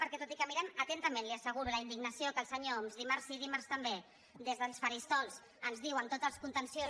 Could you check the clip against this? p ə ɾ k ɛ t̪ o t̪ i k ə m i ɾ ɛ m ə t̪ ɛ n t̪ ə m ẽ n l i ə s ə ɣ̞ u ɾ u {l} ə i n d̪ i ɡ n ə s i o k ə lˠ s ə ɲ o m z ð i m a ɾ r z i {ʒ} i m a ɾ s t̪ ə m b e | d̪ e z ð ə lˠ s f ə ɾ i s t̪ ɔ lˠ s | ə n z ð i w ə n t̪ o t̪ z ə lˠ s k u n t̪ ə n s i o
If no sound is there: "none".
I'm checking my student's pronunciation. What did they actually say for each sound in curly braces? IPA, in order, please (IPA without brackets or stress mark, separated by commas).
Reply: l, ð